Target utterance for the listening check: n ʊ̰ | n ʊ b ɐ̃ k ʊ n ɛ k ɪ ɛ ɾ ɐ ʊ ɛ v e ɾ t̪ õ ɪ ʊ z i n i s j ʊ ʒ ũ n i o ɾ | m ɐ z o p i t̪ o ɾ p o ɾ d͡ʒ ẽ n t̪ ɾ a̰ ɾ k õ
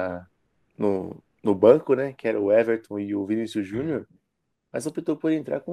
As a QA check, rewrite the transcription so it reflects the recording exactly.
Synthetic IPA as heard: n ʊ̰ | n ʊ b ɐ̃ k ʊ n ɛ k ɪ ɛ ɾ ɐ ʊ ɛ v e ɾ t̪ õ ɪ ʊ v i n i s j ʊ ʒ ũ n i o ɾ | m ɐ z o p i t̪ o ɾ p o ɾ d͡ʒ ẽ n t̪ ɾ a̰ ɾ k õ